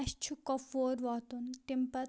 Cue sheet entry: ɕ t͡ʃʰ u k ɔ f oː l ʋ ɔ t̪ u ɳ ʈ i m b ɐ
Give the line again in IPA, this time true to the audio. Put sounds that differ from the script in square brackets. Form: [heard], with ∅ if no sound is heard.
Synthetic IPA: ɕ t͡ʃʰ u k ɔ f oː [ɾ] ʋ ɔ t̪ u [n] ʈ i m [p] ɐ